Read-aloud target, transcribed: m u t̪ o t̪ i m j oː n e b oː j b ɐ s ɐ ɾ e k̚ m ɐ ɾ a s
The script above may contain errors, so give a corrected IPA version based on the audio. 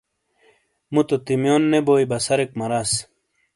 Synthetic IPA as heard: m u t̪ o t̪ i m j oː nː e b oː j b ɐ s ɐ ɾ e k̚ m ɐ ɾ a s